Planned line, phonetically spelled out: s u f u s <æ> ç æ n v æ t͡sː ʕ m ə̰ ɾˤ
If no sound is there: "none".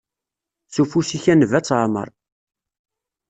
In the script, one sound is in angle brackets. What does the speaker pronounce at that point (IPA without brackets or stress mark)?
i